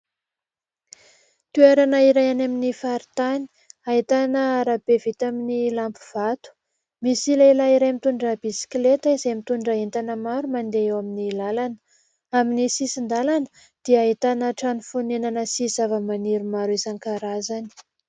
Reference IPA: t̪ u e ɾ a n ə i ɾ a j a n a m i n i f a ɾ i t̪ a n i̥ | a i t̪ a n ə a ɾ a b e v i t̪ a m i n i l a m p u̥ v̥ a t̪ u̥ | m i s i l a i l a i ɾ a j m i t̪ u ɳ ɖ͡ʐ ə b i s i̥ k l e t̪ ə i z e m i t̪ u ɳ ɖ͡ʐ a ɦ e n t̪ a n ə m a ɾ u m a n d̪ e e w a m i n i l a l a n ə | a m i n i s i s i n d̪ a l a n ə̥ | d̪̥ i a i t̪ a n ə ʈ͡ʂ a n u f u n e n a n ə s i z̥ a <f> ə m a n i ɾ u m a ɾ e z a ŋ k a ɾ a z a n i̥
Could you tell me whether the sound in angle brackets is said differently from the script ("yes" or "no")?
yes